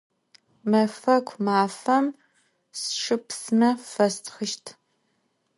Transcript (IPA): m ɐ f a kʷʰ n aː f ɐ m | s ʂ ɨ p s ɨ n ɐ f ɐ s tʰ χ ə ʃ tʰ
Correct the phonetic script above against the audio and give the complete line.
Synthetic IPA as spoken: m ɐ f ɐ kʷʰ m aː f ɐ m | s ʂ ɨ p s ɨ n ɐ f ɐ s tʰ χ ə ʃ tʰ